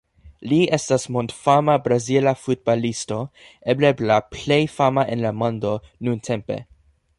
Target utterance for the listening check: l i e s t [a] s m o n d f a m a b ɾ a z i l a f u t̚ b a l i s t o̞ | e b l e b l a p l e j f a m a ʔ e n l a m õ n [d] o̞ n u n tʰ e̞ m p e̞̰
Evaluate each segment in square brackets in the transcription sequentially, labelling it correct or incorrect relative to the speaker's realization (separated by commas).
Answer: correct, correct